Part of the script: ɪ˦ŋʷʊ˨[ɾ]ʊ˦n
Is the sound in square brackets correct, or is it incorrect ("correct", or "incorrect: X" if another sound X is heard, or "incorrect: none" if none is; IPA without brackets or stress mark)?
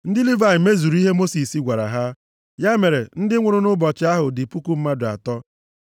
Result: correct